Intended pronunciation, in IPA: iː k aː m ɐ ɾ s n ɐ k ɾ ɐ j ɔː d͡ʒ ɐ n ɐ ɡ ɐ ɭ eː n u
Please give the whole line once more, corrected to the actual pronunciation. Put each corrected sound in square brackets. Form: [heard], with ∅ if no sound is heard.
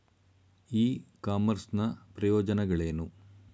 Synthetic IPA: iː k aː m ɐ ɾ s n ɐ [p] ɾ ɐ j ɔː d͡ʒ ɐ n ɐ ɡ ɐ ɭ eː n u

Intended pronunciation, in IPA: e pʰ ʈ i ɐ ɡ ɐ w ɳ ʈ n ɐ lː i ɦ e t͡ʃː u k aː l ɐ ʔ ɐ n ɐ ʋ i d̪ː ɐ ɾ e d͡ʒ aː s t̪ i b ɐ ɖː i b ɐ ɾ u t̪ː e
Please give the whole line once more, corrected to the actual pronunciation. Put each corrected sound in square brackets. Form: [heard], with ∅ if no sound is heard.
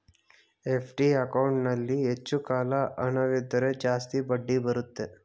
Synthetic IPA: e pʰ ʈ i ɐ [k] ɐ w ɳ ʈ n ɐ lː i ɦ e t͡ʃː u k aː l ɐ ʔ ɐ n ɐ ʋ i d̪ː ɐ ɾ e d͡ʒ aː s t̪ i b ɐ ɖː i b ɐ ɾ u t̪ː e

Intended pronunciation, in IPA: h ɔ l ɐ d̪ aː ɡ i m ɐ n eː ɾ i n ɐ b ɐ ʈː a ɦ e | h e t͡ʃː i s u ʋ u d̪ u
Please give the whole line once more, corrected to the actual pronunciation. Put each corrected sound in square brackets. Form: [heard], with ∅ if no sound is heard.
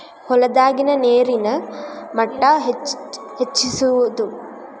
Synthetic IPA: h ɔ l ɐ d̪ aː ɡ i [n] ɐ n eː ɾ i n ɐ [m] ɐ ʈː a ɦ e | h e t͡ʃː i s u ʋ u d̪ u

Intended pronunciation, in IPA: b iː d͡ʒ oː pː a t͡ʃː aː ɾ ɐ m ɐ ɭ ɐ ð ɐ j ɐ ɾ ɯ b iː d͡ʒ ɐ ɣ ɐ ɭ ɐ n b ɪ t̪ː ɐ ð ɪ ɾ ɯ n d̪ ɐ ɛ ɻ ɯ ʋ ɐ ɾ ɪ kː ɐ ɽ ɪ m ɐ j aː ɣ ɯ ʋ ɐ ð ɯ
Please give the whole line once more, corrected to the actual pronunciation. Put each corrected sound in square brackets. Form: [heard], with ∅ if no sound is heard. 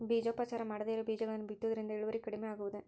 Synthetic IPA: b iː d͡ʒ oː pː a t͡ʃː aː ɾ ɐ m ɐ [ɽ] ɐ ð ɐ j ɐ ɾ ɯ b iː d͡ʒ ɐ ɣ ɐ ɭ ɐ n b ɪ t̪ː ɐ ð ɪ ɾ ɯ n d̪ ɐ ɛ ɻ ɯ ʋ ɐ ɾ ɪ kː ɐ ɽ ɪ m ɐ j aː ɣ ɯ ʋ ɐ ð ɯ

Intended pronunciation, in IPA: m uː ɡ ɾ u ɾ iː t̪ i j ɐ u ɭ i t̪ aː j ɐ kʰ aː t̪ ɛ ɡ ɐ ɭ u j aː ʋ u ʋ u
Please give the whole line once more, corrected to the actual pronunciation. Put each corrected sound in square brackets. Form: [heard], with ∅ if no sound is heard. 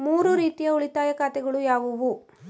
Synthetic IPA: m uː [∅] ɾ u ɾ iː t̪ i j ɐ u ɭ i t̪ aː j ɐ [k] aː t̪ ɛ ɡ ɐ ɭ u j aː ʋ u ʋ u

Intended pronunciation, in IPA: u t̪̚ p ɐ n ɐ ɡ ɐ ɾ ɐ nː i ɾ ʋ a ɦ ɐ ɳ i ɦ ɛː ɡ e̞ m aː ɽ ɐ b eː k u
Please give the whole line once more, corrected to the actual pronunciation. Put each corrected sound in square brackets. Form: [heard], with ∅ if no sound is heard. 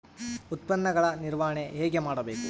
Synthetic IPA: u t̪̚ p ɐ [nː] ɐ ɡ ɐ [ɭ] ɐ [n] i ɾ ʋ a ɦ ɐ ɳ [e] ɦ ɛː ɡ e̞ m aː ɽ ɐ b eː k u

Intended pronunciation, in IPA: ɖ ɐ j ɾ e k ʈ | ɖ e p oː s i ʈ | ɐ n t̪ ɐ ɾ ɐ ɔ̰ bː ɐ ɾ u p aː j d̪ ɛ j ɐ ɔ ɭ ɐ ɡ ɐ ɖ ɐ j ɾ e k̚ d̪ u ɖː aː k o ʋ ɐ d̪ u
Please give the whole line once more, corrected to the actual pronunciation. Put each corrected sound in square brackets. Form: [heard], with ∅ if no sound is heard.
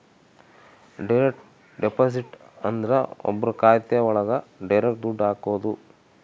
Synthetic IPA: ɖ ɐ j ɾ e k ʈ | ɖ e p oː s i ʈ | ɐ n [d̪] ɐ ɾ ɐ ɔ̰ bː ɐ ɾ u [k] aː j [t̪] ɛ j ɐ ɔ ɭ ɐ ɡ ɐ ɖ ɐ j ɾ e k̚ d̪ u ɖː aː k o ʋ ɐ d̪ u

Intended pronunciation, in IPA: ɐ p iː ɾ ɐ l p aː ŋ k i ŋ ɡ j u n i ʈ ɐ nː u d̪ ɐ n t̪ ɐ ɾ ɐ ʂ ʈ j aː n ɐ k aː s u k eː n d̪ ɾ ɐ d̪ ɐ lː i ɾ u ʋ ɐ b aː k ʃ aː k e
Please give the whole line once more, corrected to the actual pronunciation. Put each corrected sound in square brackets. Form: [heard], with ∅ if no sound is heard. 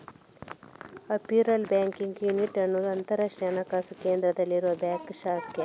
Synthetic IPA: ɐ p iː ɾ ɐ l [b] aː ŋ k i ŋ ɡ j u n i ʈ ɐ nː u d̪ ɐ n t̪ ɐ ɾ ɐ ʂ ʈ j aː n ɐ k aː s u k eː n d̪ ɾ ɐ d̪ ɐ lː i ɾ u ʋ ɐ b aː k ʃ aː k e

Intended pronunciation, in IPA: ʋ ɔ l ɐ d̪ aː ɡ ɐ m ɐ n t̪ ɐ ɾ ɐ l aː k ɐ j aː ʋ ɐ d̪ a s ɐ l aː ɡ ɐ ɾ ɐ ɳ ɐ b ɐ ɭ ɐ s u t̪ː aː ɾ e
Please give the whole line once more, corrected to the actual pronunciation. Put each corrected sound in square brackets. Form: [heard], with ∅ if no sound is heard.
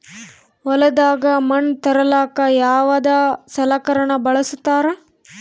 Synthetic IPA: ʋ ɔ l ɐ d̪ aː ɡ ɐ m ɐ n t̪ ɐ ɾ ɐ l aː k ɐ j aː ʋ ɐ d̪ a s ɐ l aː [k] ɐ ɾ ɐ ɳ ɐ b ɐ ɭ ɐ s u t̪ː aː ɾ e

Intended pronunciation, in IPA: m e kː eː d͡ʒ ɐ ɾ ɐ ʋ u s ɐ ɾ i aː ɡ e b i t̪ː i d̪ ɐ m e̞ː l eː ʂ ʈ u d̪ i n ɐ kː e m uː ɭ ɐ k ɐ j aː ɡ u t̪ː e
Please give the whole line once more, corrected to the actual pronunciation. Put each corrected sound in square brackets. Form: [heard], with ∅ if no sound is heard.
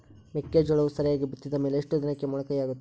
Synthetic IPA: m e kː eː d͡ʒ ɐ [ɭ] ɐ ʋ u s ɐ ɾ [j] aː ɡ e b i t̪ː i d̪ ɐ m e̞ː l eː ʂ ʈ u d̪ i n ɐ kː e m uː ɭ ɐ k ɐ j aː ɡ u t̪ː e

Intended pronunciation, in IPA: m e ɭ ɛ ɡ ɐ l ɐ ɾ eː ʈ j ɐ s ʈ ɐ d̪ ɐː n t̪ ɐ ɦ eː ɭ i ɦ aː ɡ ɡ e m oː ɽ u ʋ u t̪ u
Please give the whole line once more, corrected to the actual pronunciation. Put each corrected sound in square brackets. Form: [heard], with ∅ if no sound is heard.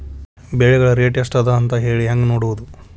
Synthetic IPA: [b] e ɭ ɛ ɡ ɐ [ɭ] ɐ ɾ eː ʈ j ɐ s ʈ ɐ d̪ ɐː n t̪ ɐ ɦ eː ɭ i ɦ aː [ŋ] ɡ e [n] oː ɽ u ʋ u [d̪] u

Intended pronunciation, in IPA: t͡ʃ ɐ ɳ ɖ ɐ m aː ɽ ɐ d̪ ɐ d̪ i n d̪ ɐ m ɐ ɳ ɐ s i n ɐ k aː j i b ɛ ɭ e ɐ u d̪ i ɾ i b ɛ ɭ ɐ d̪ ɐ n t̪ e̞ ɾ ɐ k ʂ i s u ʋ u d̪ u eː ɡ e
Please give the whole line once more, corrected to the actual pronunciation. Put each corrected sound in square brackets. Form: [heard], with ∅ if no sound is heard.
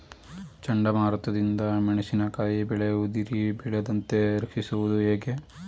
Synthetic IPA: t͡ʃ ɐ ɳ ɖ ɐ m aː [ɾ] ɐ [t̪] ɐ d̪ i n d̪ ɐ m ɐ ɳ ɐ s i n ɐ k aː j i b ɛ ɭ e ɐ u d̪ i ɾ i b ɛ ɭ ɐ d̪ ɐ n t̪ e̞ ɾ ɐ k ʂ i s u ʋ u d̪ u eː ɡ e

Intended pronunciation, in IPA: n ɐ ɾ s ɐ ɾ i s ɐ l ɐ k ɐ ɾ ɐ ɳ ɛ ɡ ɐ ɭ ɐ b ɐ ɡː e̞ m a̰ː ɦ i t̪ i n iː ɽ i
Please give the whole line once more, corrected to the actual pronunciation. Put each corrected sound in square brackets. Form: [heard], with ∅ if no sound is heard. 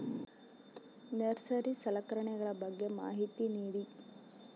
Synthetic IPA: n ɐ ɾ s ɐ ɾ i s ɐ l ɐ k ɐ ɾ ɐ ɳ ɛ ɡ ɐ ɭ ɐ b ɐ ɡː e̞ m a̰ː ɦ i t̪ i n iː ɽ i

